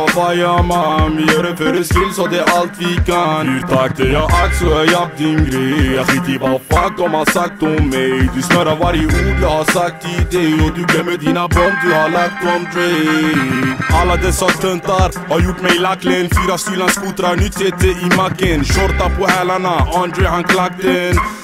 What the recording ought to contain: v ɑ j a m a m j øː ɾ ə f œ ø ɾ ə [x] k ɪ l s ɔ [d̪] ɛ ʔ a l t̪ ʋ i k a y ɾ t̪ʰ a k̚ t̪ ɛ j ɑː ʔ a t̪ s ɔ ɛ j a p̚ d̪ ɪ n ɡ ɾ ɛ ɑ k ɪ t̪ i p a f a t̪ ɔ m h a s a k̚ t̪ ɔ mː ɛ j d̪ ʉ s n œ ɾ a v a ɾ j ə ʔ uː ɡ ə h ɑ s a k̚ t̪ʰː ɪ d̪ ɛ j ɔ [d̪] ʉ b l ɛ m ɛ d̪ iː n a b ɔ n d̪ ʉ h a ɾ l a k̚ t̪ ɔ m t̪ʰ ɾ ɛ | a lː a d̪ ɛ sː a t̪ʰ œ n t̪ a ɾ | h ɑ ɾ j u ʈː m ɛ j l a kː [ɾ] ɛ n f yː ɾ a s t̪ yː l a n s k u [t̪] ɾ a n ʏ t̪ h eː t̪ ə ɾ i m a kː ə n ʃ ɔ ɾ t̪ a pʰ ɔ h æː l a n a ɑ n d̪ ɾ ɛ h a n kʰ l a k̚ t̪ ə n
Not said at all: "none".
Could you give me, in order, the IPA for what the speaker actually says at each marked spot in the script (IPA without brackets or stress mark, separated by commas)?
s, d̪, d̪, l, t̪